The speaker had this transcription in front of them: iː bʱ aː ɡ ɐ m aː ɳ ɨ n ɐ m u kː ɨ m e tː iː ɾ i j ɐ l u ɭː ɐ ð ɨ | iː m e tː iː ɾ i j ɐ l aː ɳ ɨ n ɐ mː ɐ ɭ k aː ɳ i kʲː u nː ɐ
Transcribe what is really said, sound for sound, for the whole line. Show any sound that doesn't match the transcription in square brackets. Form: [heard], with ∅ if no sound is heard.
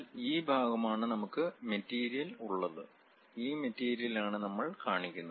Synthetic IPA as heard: iː bʱ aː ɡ ɐ m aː ɳ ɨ n ɐ m u kː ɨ m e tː iː ɾ i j ɐ l u ɭː ɐ ð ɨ | iː m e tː iː ɾ i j ɐ l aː ɳ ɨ n ɐ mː ɐ ɭ k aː ɳ i kʲː u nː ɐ